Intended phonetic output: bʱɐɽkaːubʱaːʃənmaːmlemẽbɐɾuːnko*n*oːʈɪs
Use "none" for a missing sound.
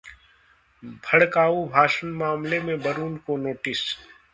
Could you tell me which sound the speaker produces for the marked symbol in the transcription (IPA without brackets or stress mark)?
n